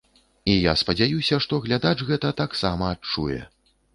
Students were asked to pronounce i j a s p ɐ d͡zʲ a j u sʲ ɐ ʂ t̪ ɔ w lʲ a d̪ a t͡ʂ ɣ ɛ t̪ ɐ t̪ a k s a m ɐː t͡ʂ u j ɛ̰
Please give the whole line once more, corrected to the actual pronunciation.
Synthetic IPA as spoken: i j a s p ɐ d͡zʲ a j u sʲ ɐ ʂ t̪ ɔ ɣ lʲ a d̪ a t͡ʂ ɣ ɛ t̪ ɐ t̪ a k s a m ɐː t͡ʂ u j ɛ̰